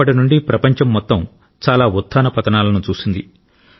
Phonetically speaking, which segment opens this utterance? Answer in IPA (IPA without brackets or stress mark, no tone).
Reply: ɐ